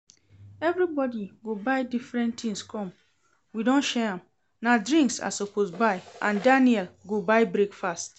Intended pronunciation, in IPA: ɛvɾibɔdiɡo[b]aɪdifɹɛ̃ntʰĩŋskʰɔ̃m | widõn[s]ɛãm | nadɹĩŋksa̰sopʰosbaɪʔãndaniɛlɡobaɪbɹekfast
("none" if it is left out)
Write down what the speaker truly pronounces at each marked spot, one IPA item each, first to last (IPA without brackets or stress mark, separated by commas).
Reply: b, ʃ